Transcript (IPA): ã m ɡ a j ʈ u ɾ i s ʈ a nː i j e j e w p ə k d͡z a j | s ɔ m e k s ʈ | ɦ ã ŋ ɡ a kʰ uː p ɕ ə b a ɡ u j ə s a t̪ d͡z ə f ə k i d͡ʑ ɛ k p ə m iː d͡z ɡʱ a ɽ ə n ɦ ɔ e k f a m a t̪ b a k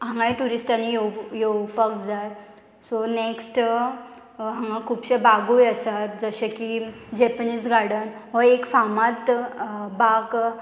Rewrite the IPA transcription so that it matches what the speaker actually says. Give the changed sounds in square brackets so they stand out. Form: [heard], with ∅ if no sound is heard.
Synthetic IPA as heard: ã [ŋ] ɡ a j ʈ u ɾ i s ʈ a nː i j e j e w p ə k d͡z a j | s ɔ [n] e k s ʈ | ɦ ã ŋ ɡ a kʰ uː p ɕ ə b a ɡ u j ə s a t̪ d͡z ə [ɕ] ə k i d͡ʑ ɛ [∅] p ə [n] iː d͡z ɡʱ a ɽ ə n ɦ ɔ e k f a m a t̪ b a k